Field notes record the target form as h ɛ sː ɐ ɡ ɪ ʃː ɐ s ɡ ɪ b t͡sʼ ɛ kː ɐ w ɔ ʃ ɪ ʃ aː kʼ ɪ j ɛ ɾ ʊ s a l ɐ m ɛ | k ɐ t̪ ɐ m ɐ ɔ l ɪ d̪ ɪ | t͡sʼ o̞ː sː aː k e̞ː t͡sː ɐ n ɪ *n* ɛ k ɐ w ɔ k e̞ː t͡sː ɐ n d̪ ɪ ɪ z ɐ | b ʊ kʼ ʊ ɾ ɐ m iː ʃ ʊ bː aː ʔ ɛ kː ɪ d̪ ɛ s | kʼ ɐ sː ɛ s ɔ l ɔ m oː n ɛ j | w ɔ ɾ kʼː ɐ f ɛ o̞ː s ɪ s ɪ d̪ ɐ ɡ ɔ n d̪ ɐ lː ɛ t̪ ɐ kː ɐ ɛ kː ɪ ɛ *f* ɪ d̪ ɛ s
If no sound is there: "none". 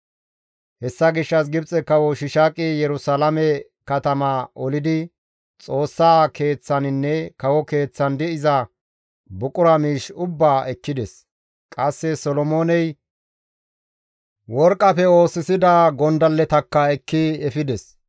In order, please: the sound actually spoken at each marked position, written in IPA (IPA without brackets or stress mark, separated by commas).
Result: nː, f